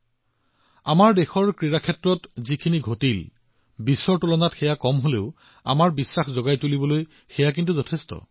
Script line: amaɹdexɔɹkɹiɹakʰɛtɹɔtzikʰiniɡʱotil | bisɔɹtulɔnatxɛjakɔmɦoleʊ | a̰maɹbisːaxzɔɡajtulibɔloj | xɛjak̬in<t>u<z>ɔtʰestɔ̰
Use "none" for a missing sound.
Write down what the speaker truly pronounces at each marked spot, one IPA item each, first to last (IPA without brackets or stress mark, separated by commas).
t, z